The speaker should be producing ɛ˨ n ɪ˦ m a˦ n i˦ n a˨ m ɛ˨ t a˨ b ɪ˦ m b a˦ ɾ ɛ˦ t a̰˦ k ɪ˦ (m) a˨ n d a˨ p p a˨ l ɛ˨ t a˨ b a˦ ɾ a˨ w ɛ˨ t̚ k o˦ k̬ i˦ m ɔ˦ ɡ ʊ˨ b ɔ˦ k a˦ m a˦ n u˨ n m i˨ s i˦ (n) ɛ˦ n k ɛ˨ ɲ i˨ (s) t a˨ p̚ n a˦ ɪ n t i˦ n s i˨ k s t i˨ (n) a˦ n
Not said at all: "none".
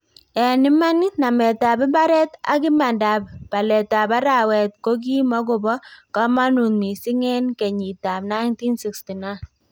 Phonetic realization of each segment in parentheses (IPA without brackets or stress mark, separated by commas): m, ŋ, none, n